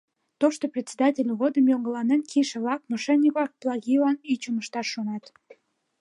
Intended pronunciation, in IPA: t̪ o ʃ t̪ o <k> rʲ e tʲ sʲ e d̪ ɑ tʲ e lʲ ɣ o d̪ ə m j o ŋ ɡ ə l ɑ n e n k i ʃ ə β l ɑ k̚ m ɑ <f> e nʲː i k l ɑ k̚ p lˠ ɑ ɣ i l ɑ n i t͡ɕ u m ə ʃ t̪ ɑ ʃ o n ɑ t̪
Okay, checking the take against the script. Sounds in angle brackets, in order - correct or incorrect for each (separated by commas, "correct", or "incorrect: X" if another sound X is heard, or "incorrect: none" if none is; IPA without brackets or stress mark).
incorrect: p, incorrect: ʃ